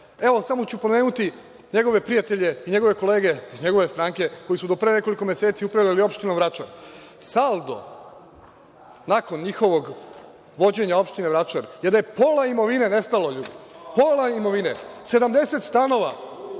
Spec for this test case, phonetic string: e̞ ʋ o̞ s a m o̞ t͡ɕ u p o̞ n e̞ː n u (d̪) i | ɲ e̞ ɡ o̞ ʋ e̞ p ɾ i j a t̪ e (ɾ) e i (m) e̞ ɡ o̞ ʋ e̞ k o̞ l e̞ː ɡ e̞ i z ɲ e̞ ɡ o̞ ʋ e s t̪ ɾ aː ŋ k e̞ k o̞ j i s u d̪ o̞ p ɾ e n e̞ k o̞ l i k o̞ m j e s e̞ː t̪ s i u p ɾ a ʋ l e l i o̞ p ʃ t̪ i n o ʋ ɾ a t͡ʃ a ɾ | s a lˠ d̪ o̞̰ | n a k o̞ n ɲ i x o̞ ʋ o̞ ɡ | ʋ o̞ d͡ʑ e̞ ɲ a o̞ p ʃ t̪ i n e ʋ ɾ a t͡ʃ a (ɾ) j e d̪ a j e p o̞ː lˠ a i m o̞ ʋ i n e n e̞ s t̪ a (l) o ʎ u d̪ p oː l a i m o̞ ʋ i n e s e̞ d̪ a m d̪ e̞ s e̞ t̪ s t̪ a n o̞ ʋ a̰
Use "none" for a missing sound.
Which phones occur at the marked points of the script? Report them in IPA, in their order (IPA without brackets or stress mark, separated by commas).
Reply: t̪, ʎ, ɲ, ɾ, l